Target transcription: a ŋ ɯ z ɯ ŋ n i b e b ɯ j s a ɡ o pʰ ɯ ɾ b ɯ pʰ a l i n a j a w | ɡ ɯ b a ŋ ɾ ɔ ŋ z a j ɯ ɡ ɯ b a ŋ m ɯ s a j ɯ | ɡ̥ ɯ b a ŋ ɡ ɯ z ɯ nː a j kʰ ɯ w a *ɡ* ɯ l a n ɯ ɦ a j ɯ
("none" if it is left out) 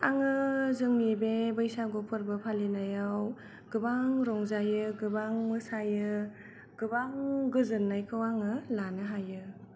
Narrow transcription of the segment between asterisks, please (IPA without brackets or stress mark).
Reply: ŋ